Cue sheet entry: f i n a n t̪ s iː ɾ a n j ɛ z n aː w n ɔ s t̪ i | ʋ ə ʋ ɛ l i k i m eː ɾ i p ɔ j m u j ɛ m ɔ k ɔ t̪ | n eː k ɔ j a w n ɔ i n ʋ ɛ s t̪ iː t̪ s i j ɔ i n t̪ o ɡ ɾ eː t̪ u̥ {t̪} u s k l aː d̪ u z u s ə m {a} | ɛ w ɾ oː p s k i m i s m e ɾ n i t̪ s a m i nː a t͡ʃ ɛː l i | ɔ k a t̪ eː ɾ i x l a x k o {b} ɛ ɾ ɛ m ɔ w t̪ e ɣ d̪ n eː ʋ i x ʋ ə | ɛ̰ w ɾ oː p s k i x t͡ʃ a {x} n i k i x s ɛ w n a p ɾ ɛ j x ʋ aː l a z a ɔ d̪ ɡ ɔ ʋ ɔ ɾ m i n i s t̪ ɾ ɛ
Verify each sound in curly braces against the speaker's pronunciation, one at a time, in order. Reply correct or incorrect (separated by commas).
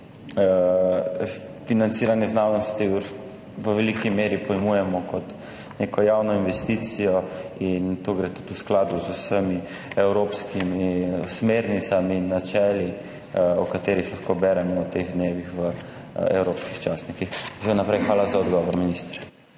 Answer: correct, incorrect, correct, incorrect